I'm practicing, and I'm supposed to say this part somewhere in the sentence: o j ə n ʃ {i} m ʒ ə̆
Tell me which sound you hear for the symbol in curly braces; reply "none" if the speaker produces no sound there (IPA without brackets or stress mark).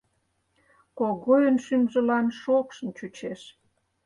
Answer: y